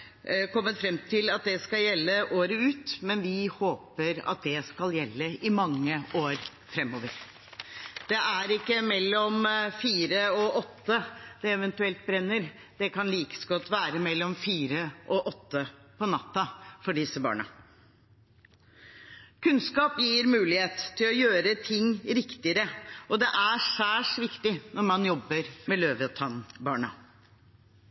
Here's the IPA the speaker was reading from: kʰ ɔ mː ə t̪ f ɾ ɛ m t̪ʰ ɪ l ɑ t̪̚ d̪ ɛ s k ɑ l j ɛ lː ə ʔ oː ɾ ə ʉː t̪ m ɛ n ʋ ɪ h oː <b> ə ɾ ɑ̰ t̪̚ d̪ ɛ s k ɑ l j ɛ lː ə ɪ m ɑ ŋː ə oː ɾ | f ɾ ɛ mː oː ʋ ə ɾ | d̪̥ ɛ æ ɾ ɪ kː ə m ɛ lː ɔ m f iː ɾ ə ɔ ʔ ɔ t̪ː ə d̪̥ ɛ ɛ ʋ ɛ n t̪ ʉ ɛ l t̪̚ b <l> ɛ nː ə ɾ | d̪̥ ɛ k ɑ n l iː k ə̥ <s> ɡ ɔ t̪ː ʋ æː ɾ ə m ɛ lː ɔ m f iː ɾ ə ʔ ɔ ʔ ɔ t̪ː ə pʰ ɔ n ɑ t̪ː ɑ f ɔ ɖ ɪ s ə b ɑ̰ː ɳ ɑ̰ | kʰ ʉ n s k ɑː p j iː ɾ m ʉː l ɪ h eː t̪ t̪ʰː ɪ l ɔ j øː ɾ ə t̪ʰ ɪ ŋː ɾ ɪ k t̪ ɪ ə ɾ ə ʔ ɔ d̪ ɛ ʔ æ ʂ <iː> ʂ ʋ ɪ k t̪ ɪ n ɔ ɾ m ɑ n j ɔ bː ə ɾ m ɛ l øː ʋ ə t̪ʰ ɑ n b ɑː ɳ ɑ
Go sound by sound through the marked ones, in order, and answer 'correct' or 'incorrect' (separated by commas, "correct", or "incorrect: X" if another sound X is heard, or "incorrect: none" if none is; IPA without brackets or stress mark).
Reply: incorrect: p, incorrect: ɾ, correct, incorrect: æː